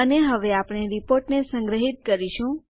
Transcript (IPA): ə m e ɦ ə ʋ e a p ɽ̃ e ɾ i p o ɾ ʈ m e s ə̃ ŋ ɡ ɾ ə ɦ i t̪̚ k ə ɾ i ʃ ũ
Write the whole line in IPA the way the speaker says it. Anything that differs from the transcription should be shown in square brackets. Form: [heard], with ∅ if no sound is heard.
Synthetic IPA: ə [n] e ɦ ə ʋ e a p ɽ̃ e ɾ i p o ɾ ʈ [n] e s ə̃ ŋ ɡ ɾ ə ɦ i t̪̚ k ə ɾ i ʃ ũ